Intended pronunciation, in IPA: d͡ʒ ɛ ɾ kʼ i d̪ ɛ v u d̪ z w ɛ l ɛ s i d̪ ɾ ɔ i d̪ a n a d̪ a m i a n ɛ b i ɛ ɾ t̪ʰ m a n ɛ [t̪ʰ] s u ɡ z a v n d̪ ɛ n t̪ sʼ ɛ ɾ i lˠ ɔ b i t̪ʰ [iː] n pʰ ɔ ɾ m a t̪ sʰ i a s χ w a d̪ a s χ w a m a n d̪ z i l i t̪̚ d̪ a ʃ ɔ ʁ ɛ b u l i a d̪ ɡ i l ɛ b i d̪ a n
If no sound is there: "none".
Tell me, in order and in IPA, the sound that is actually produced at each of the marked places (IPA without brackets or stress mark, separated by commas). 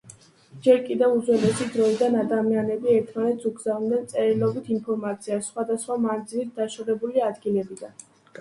t̪, i